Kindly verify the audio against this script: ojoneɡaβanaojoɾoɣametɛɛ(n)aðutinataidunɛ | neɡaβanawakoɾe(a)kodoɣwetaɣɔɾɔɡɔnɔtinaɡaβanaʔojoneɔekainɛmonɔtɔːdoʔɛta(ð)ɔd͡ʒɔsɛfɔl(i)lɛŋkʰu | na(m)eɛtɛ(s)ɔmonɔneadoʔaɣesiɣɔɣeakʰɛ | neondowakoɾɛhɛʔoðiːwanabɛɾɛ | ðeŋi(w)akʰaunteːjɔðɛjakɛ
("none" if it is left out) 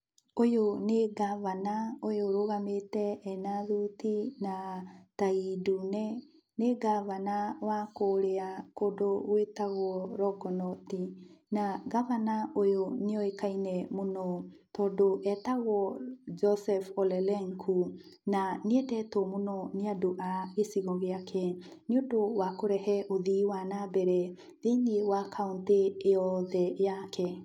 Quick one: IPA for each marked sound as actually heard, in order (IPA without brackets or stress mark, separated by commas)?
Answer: n, a, ɣ, ɛ, n, t, w